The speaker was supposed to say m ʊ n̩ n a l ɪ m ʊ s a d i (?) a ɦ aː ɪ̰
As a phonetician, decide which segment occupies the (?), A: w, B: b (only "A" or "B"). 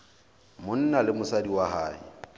A